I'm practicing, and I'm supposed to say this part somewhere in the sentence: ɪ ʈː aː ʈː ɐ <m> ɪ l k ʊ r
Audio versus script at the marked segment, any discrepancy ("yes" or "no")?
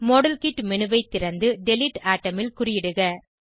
no